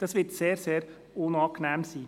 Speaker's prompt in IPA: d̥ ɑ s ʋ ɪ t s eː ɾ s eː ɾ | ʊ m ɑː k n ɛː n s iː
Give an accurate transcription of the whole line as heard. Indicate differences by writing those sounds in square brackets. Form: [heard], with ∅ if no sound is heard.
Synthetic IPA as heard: d̥ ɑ s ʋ ɪ t s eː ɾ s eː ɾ | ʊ [n] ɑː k n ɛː [m] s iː